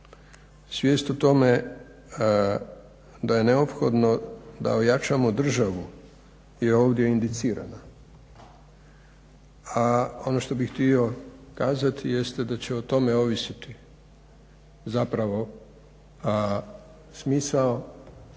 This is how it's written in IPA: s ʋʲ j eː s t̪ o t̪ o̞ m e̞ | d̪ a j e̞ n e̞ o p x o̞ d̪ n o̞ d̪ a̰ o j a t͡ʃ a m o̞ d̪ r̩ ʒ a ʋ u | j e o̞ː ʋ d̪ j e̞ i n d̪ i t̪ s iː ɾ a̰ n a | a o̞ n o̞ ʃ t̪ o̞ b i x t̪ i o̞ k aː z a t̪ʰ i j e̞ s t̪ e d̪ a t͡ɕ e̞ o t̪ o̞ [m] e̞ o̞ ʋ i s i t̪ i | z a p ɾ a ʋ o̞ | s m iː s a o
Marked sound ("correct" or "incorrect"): correct